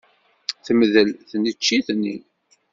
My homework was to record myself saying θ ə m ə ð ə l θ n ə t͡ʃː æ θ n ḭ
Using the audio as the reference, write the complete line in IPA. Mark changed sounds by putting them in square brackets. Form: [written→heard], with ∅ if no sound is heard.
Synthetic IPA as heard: θ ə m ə ð ə l θ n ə t͡ʃː [æ→i] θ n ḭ